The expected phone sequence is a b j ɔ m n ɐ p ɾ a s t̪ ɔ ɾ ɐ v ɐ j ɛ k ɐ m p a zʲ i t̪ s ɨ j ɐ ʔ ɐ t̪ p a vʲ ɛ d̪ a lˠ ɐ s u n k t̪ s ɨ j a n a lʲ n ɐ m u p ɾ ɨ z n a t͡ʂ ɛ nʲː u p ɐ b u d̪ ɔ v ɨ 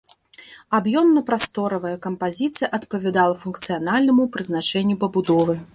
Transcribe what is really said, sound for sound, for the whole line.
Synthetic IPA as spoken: a b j ɔ m n ɐ p ɾ a s t̪ ɔ ɾ ɐ v ɐ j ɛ k ɐ m p a zʲ i t̪ s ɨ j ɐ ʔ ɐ t̪ p ɐ vʲ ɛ d̪ a lˠ ɐ f u n k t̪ s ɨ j a n a lʲ n ɐ m u p ɾ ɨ z n a t͡ʂ ɛ nʲː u p ɐ b u d̪ ɔ v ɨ